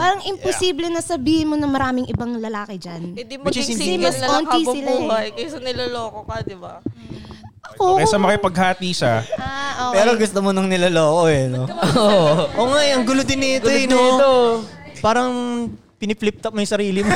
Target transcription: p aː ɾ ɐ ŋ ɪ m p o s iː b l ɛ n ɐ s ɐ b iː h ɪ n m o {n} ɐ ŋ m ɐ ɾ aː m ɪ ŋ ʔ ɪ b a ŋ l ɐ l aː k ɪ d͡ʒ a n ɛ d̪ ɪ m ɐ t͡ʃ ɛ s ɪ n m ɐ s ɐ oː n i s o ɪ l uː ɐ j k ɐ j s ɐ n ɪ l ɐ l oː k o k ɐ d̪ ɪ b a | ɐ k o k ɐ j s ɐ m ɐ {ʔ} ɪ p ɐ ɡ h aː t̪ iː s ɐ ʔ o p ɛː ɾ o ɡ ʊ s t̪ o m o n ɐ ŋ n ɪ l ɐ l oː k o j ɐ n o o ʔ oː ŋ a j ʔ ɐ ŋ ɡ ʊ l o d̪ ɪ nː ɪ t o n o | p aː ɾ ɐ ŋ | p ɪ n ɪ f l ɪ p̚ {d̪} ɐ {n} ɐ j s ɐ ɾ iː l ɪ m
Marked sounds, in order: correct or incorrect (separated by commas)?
correct, incorrect, incorrect, incorrect